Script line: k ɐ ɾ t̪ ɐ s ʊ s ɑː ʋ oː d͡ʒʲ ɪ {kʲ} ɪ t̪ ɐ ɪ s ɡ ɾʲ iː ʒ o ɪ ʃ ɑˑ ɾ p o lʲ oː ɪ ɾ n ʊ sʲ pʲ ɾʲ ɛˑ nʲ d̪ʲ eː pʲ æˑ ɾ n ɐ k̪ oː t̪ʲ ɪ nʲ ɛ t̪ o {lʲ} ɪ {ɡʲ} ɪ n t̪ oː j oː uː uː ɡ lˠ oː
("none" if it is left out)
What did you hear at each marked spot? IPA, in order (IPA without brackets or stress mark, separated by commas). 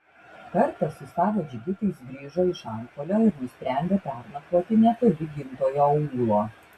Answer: ɡʲ, lʲ, ɡʲ